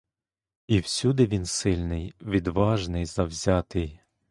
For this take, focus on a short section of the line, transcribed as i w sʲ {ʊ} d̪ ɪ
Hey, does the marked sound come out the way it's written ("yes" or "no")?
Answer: no